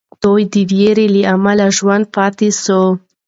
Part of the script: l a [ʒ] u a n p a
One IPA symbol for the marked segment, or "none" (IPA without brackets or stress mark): ʒ